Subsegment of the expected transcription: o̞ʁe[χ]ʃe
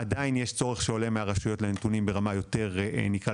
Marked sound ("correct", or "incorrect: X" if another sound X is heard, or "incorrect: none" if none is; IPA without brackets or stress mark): correct